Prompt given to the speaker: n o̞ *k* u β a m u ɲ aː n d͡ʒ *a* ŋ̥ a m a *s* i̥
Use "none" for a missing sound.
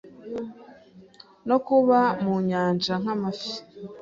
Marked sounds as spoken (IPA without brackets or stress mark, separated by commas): k, a, f